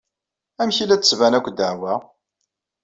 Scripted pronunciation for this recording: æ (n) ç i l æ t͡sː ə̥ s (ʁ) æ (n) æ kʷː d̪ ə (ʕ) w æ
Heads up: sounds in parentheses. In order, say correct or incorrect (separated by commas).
incorrect, incorrect, correct, correct